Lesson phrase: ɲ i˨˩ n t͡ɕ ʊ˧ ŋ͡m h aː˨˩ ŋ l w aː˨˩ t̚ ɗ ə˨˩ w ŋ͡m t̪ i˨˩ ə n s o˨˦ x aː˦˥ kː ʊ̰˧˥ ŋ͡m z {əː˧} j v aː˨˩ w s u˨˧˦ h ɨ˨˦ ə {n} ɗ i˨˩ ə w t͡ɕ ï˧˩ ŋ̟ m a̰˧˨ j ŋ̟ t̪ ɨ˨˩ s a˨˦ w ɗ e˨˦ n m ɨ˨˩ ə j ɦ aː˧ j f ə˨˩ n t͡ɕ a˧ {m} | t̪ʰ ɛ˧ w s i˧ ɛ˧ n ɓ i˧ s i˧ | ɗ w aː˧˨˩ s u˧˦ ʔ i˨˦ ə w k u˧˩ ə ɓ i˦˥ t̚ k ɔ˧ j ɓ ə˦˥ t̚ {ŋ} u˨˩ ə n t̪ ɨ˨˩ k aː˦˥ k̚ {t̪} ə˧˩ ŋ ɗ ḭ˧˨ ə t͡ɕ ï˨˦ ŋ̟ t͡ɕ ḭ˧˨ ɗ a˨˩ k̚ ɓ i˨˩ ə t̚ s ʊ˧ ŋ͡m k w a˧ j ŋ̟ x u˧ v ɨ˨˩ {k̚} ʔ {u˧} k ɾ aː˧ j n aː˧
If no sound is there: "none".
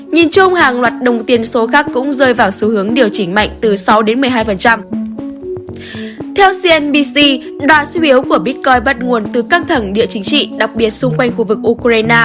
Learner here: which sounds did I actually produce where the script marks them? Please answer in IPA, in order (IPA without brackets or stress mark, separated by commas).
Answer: əː˧, ŋ, m, ŋ, t̪ʰ, k̚, u˧